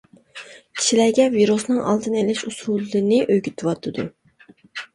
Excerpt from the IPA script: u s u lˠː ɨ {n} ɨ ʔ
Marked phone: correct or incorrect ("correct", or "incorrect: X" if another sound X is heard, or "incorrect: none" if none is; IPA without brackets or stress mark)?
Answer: correct